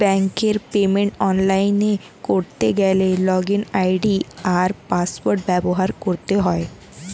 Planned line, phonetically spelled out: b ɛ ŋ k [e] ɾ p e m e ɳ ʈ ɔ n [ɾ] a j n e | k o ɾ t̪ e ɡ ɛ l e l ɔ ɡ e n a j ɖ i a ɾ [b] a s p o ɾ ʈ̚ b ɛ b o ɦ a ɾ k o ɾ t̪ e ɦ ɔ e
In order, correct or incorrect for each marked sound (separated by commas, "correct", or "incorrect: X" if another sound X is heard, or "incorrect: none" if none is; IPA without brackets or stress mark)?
correct, incorrect: l, incorrect: p